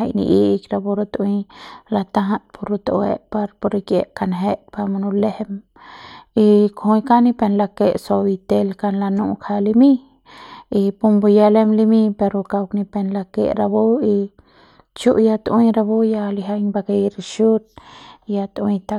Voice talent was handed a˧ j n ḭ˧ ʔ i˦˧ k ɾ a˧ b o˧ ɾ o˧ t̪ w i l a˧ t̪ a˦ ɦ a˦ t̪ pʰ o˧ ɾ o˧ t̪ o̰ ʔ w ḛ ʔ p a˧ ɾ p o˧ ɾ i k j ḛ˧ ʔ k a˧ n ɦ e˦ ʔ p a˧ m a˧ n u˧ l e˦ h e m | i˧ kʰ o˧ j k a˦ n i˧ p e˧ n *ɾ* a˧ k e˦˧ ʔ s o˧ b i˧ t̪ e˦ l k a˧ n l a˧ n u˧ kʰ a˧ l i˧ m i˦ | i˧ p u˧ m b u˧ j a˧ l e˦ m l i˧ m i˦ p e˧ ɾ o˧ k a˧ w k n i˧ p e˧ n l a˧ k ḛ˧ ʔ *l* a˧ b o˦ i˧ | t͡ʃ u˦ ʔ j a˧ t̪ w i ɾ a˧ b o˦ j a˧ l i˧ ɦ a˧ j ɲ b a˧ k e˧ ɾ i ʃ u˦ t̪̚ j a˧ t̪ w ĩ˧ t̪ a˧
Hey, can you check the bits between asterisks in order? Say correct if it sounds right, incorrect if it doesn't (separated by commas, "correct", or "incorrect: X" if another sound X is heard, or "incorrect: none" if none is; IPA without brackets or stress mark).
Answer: incorrect: l, incorrect: ɾ